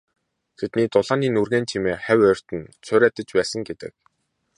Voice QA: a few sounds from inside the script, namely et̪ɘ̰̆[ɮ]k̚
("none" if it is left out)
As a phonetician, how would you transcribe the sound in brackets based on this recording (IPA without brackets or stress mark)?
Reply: none